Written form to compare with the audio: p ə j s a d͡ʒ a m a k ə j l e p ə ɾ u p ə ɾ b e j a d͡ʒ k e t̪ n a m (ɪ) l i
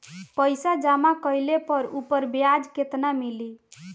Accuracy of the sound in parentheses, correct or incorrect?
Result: incorrect